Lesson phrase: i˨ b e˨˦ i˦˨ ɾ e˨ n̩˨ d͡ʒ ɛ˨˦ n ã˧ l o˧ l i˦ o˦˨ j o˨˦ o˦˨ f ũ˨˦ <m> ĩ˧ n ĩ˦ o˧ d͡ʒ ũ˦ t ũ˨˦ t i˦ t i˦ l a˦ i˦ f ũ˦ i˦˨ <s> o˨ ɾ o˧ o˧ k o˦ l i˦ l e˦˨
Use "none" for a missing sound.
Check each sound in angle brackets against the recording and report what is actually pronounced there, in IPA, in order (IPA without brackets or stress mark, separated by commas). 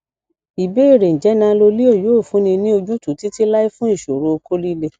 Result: n, ʃ